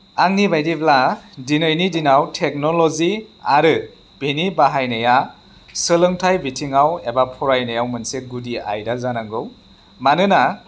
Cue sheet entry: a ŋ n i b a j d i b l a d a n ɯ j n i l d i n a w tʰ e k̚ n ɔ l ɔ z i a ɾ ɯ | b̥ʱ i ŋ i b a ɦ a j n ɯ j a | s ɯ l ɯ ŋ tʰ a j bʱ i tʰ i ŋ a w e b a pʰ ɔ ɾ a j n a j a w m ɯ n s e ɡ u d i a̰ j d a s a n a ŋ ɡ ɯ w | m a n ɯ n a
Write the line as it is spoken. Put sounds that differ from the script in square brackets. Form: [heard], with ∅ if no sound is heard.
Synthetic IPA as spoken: a ŋ n i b a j d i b l a d [i] n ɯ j n i [∅] d i n a w tʰ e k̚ n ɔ l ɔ z i a ɾ ɯ | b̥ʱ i [n] i b a ɦ a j n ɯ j a | s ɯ l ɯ ŋ tʰ a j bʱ i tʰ i ŋ a w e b a pʰ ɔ ɾ a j n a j a w m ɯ n s e ɡ u d i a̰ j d a [z] a n a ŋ ɡ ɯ w | m a n ɯ n a